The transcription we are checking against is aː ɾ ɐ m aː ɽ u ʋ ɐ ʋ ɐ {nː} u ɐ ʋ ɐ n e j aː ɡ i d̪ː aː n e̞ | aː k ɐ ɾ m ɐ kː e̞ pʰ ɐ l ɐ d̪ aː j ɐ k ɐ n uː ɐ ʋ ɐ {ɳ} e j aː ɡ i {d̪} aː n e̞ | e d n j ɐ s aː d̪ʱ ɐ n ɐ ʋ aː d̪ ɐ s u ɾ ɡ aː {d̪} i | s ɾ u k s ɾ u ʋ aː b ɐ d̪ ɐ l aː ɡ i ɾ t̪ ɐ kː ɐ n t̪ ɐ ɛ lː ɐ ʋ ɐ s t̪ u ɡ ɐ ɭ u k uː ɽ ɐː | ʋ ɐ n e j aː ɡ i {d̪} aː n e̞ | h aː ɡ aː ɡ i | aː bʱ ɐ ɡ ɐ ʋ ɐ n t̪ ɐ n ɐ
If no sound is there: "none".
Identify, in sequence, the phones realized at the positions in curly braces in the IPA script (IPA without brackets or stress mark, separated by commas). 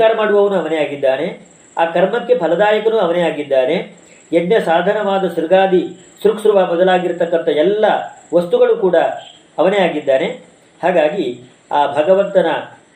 n, n, d̪ː, d̪, d̪ː